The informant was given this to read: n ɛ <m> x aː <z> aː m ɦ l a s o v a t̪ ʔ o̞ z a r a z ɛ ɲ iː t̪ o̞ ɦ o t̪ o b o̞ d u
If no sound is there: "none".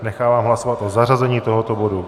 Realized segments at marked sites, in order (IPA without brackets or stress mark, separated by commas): none, v